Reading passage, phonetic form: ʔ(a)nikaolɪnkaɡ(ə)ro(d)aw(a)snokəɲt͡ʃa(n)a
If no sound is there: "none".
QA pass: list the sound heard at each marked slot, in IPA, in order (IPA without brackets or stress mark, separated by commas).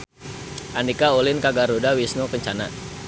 a, a, d, i, n